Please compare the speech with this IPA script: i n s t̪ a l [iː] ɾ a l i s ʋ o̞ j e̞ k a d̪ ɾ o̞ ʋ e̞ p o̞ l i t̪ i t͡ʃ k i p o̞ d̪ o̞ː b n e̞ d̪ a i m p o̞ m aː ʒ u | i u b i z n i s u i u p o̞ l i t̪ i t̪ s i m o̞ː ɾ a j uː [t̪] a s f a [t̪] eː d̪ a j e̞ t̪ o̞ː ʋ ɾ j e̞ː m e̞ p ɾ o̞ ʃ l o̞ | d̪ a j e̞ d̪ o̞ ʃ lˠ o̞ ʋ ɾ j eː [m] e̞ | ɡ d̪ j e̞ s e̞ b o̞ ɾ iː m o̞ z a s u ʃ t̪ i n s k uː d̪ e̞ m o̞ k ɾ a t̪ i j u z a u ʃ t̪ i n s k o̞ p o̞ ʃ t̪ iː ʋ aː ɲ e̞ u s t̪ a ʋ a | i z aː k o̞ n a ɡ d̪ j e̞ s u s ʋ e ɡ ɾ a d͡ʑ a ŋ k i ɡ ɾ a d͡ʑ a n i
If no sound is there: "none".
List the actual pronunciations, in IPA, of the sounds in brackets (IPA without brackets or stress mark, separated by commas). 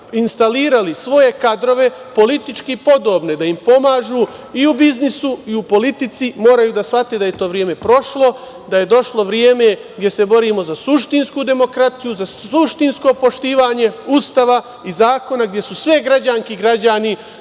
iː, d̪, t̪, m